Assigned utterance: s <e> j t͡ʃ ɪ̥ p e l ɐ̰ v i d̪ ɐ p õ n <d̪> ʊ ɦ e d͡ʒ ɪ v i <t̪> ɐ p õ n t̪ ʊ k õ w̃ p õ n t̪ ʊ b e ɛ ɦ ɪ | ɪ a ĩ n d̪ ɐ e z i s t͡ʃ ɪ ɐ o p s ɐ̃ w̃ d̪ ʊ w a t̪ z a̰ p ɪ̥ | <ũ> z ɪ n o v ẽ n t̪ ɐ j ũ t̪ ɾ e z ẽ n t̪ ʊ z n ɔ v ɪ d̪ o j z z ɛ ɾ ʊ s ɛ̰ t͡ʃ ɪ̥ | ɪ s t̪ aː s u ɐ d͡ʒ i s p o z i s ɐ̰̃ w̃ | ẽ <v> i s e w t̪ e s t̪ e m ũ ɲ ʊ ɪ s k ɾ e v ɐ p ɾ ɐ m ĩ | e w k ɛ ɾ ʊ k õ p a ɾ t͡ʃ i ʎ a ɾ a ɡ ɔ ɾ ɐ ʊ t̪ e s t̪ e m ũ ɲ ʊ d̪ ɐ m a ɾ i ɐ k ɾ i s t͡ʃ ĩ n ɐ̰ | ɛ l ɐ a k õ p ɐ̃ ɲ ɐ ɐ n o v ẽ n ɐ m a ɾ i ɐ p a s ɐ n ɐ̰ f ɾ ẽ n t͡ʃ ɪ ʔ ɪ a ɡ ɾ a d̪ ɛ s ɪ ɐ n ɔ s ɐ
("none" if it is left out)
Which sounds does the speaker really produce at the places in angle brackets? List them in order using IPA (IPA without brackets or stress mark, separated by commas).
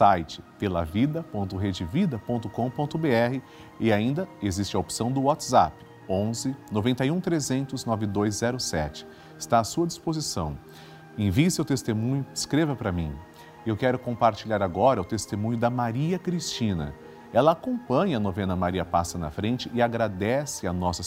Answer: a, t̪, d̪, õ, v